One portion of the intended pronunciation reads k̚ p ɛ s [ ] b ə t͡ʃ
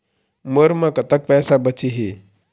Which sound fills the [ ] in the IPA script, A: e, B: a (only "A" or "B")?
B